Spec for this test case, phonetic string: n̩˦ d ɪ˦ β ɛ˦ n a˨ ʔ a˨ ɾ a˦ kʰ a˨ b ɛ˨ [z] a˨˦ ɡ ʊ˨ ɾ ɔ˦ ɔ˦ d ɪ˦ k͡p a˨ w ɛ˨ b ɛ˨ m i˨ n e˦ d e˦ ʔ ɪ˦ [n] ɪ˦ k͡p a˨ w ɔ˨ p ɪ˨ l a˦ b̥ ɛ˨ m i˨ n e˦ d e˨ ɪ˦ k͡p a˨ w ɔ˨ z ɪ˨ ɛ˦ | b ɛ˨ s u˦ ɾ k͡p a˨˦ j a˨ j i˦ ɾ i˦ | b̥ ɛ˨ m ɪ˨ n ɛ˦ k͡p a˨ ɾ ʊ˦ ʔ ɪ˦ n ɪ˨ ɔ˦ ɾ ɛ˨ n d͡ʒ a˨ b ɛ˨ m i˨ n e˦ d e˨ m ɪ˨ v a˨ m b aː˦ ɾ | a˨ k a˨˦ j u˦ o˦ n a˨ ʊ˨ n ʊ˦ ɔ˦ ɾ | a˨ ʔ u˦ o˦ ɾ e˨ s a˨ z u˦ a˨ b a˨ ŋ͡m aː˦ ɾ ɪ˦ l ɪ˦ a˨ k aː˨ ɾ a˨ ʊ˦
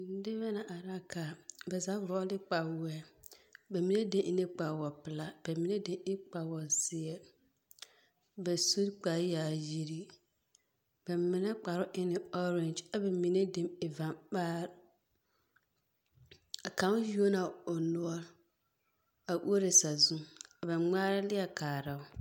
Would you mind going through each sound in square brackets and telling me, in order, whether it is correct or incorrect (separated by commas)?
correct, correct